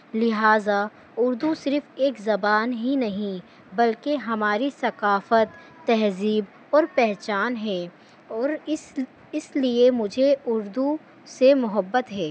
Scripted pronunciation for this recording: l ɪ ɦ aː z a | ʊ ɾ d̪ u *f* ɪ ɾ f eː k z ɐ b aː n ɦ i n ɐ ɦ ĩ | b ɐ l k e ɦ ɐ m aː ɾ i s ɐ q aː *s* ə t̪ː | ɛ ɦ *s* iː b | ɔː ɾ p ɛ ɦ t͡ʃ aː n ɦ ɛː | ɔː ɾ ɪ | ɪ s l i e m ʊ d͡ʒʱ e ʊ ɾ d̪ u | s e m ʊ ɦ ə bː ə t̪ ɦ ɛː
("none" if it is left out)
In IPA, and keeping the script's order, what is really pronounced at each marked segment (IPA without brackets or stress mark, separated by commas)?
s, f, z